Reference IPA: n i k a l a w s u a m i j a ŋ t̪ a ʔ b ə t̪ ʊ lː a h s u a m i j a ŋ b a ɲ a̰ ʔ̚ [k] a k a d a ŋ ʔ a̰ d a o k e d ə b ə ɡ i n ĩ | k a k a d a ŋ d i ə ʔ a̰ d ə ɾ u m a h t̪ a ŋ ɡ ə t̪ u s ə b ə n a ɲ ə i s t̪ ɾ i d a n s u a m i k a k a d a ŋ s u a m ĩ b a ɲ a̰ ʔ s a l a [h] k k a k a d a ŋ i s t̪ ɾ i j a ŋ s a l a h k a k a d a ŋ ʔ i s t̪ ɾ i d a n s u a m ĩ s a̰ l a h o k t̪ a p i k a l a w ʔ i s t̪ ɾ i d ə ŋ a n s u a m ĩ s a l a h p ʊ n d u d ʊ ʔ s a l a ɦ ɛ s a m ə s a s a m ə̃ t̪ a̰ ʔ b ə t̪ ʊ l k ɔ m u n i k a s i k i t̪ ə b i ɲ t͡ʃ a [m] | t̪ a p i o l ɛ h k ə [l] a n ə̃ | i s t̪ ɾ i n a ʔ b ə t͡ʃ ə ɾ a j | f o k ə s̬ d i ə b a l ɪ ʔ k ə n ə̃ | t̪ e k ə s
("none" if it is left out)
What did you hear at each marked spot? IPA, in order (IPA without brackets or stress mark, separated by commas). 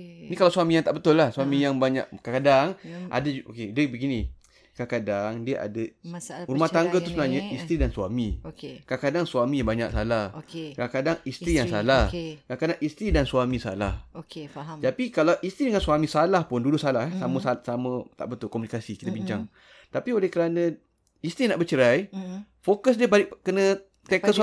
k, h, ŋ, ɾ